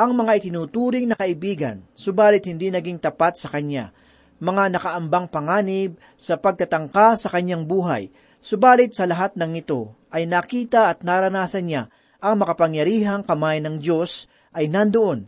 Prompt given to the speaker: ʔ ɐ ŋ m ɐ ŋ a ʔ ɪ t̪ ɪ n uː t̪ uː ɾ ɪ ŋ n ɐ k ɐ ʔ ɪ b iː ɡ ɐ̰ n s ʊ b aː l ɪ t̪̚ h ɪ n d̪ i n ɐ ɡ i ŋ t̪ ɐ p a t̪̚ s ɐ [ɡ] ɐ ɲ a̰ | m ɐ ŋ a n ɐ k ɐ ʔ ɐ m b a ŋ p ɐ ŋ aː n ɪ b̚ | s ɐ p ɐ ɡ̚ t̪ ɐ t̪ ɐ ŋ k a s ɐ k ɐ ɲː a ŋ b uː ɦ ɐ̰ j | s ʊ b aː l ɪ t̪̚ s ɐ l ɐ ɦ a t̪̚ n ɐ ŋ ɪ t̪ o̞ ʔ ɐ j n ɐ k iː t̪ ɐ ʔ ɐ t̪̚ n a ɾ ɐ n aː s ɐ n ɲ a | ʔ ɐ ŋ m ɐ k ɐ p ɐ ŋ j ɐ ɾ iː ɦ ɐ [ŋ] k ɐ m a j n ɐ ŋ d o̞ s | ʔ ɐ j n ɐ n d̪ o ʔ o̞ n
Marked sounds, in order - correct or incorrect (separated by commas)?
incorrect, correct